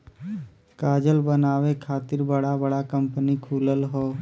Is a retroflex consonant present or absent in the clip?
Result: present